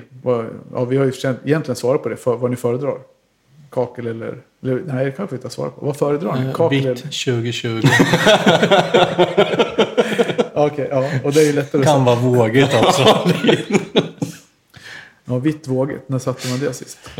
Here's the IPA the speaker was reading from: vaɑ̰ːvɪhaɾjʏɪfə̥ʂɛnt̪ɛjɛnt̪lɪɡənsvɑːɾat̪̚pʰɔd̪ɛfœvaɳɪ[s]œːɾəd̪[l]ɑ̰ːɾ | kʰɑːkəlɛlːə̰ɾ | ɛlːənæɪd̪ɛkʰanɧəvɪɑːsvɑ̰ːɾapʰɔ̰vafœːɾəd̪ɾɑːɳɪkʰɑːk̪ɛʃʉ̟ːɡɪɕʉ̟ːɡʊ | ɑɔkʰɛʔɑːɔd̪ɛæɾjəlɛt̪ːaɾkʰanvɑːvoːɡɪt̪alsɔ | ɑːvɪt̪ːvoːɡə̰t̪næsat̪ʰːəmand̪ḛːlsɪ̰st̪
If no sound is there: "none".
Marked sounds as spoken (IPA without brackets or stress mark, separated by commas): f, ɾ